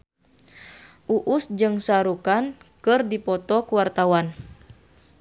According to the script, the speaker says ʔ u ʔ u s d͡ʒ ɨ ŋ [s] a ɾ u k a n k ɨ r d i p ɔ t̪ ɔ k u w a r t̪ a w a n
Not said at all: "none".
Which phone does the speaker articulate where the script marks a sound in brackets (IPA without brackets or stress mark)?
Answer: s